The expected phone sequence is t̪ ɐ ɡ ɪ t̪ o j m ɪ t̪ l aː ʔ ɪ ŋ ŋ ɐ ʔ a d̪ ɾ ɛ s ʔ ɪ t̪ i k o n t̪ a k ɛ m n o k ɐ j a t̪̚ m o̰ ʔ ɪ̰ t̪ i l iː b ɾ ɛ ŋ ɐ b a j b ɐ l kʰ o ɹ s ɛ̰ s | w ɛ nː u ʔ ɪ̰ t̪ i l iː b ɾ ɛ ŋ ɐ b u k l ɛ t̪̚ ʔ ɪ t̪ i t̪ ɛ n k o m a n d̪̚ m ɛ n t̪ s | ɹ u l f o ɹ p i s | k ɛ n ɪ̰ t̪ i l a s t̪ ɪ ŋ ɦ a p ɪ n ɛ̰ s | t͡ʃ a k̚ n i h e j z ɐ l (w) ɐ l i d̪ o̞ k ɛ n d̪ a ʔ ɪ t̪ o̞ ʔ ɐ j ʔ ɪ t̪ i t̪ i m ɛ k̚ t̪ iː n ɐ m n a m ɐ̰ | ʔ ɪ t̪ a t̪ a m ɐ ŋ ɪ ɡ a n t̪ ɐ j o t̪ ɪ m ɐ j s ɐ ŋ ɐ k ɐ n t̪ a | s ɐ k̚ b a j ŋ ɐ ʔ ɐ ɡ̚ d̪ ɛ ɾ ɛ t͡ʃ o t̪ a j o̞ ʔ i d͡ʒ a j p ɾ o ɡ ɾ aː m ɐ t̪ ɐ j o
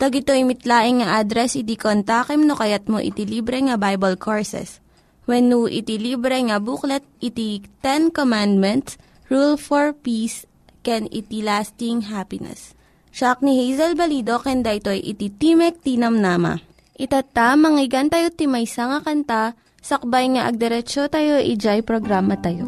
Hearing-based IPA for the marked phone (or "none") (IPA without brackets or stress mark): b